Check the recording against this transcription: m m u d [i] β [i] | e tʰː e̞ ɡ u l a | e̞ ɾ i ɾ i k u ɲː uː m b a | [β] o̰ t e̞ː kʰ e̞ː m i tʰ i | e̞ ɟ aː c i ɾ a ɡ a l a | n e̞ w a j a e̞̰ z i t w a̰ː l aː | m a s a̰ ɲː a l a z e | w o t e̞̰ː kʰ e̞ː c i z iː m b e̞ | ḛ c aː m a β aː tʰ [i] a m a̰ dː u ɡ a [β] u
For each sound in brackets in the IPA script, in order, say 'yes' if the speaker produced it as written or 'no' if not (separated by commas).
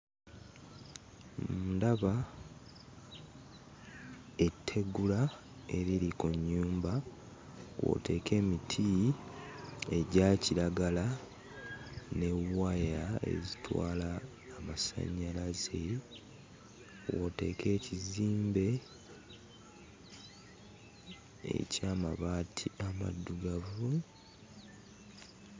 no, no, no, yes, no